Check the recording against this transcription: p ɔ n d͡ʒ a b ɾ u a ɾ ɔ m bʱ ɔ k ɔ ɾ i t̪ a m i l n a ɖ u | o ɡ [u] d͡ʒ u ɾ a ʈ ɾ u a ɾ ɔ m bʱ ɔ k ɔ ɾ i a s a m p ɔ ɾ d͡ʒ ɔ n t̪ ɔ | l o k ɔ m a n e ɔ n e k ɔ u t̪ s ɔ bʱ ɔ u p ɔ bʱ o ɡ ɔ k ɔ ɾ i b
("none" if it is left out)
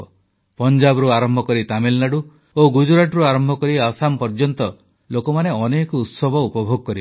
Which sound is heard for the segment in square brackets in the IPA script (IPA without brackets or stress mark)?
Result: u